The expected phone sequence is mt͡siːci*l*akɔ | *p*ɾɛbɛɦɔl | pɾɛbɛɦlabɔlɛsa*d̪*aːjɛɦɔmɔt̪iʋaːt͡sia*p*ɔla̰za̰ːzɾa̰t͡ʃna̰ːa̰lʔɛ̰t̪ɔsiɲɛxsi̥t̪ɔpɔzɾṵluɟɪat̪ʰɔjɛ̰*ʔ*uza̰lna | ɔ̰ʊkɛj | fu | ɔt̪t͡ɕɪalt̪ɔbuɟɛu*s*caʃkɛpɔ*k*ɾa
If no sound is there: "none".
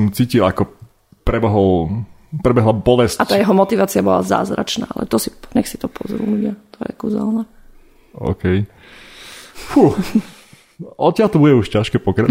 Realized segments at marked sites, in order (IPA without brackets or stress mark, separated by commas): l, p, t̪, b, k, ʃ, k